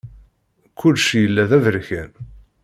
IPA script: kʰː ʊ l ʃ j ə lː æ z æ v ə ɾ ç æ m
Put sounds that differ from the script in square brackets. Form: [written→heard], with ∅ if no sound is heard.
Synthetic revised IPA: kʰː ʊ l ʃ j ə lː æ [z→ð] æ v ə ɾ ç æ [m→n]

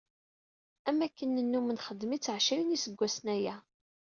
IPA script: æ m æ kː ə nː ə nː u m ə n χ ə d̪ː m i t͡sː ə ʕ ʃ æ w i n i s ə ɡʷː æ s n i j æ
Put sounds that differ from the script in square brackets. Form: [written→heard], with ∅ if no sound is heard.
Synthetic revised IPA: æ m æ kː ə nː ə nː u m ə n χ ə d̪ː m i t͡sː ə ʕ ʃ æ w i n i s ə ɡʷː æ s n [i→æ] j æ

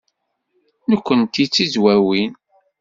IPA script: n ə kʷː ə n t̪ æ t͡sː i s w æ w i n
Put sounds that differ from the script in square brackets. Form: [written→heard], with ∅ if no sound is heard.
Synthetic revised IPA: n ə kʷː ə n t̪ [æ→i] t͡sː i [s→z] w æ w i n

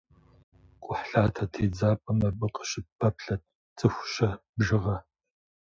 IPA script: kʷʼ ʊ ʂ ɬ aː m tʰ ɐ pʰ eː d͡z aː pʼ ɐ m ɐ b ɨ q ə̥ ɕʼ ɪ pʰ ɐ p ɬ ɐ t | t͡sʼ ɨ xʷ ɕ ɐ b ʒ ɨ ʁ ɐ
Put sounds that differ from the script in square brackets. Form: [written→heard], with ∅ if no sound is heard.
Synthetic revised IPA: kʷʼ ʊ [ʂ→ħ] ɬ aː [m→∅] tʰ ɐ [pʰ→tʰ] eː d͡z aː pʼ ɐ m ɐ b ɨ q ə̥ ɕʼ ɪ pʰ ɐ p ɬ ɐ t | t͡sʼ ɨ xʷ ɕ ɐ b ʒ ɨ ʁ ɐ

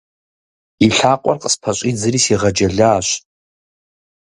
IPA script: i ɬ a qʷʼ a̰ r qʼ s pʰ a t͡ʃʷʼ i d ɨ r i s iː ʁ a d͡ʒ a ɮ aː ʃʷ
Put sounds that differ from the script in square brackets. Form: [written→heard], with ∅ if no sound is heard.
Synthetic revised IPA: i ɬ a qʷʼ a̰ r qʼ s pʰ a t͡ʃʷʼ i [d→d͡z] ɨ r i s [iː→i] ʁ a d͡ʒ a ɮ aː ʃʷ

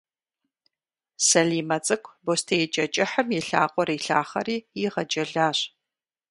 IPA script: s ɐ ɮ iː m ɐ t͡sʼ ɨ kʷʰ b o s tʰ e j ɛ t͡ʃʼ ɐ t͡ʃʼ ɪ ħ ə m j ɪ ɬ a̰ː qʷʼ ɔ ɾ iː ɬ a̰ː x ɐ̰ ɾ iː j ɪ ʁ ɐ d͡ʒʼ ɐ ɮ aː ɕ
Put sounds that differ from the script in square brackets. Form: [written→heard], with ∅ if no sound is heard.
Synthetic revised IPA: s ɐ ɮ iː m ɐ t͡sʼ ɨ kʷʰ b o s tʰ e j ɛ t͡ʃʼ ɐ t͡ʃʼ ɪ ħ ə m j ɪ ɬ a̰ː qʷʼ ɔ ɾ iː ɬ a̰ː [x→χ] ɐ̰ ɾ iː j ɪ ʁ ɐ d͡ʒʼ ɐ ɮ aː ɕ

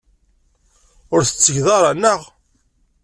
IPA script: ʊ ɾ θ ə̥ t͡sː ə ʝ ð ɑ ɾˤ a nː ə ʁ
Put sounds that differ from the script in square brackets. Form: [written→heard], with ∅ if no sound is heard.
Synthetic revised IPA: ʊ ɾ θ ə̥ t͡sː ə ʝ ð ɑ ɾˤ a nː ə ʁ

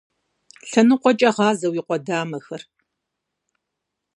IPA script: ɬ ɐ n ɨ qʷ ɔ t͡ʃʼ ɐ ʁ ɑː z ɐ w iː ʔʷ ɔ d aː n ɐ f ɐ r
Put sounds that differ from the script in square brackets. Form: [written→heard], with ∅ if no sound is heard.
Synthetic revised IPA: ɬ ɐ n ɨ qʷ ɔ t͡ʃʼ ɐ ʁ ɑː z ɐ w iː [ʔʷ→qʷ] ɔ d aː [n→m] ɐ [f→x] ɐ r

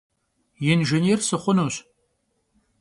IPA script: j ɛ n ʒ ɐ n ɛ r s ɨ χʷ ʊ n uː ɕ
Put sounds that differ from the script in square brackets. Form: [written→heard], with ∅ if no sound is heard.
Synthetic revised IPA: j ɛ n ʒ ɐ n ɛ r s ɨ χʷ ʊ n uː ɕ

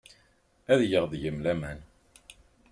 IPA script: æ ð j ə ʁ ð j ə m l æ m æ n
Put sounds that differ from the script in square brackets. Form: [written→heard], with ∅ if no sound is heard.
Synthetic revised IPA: æ ð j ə ʁ ð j ə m l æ m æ n

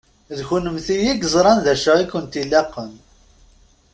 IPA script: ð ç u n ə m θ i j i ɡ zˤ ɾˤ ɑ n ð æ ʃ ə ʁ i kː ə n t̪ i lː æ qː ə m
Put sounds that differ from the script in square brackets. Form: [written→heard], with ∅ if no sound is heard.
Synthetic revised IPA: ð ç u n ə m θ i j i ɡ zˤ ɾˤ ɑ n ð æ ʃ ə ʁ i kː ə n t̪ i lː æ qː ə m

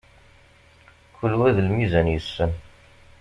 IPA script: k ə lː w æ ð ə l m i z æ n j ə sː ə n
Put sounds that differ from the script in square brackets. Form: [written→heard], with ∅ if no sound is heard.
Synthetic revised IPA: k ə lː w æ ð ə l m i z æ n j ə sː ə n

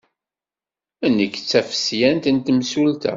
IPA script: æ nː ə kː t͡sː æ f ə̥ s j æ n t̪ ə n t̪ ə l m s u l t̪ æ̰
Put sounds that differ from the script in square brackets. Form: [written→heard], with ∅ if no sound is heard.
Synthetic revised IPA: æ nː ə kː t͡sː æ f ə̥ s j æ n t̪ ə n t̪ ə [l→∅] m s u l t̪ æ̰

